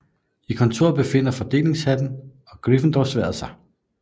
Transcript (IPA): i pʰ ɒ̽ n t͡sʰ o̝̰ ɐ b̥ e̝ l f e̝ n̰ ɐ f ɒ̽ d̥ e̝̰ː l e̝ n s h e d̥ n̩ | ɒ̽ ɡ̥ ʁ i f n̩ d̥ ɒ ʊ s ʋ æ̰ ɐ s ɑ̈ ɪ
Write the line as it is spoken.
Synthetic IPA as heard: i kʰ ɒ̽ n t͡sʰ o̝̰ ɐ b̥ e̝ f e̝ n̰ ɐ f ɒ̽ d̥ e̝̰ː l e̝ ŋ s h æ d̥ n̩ | ɒ̽ ɡ̥ ʁ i f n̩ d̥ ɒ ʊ s ʋ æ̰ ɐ s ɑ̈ ɪ